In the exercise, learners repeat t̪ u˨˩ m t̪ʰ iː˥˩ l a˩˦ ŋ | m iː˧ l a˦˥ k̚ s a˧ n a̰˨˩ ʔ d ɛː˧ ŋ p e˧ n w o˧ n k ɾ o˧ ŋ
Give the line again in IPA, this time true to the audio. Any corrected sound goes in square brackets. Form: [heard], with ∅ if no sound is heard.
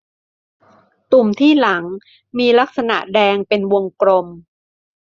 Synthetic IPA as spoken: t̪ u˨˩ m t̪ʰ iː˥˩ l a˩˦ ŋ | m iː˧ l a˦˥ k̚ s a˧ n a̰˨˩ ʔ d ɛː˧ ŋ p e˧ n w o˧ [ŋ] k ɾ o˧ [m]